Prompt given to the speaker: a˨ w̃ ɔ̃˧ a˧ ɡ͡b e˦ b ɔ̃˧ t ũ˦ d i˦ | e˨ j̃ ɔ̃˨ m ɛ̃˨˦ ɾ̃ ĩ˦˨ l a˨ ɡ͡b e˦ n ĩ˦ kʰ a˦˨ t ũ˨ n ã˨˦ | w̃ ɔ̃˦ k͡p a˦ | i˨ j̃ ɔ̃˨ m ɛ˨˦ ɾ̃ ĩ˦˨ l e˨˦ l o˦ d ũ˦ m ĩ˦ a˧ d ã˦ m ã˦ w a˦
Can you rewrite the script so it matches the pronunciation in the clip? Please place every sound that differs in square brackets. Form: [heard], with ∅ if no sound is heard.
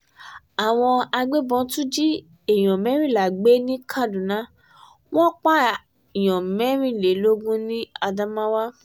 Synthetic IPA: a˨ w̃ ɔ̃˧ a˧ ɡ͡b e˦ b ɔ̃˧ t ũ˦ [d͡ʒ] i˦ | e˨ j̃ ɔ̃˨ m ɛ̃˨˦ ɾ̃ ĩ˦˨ l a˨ ɡ͡b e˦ n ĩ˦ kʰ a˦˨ [d] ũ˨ n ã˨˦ | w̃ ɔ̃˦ k͡p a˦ | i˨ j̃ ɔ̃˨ m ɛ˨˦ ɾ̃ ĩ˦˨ l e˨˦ l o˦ [ɡ] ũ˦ [n] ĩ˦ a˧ d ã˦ m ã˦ w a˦